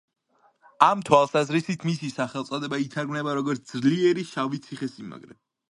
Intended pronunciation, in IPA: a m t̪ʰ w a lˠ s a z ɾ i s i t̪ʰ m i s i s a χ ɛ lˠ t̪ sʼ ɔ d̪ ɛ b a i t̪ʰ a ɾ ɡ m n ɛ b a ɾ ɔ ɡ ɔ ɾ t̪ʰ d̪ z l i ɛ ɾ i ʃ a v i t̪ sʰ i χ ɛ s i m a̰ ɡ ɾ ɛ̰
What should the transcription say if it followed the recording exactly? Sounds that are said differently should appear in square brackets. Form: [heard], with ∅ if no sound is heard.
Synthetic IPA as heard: a m t̪ʰ w a lˠ s a z ɾ i s i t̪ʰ m i s i s a χ ɛ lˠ t̪ sʼ ɔ d̪ ɛ b a i t̪ʰ a ɾ ɡ m n ɛ b a ɾ ɔ ɡ ɔ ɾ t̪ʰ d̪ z l i ɛ ɾ i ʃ a v i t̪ sʰ i χ ɛ s i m a̰ ɡ ɾ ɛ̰